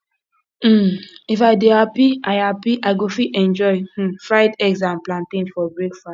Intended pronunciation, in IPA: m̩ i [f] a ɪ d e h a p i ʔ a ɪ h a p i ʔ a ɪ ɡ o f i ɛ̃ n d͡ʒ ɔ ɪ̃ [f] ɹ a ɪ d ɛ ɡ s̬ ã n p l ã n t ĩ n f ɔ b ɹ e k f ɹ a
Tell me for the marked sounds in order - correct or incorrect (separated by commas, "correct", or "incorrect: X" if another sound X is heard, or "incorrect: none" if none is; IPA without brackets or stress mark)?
correct, correct